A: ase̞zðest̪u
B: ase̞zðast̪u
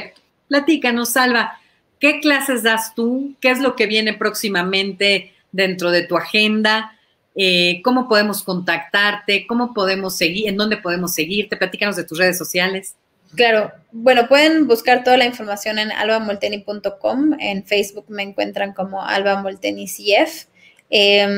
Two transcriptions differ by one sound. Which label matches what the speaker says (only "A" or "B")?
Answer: B